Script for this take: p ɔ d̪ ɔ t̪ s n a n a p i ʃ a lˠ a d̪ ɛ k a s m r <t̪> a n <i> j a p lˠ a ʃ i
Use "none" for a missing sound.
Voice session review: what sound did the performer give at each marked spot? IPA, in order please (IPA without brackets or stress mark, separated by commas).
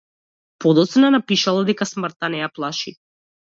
t̪, ɛ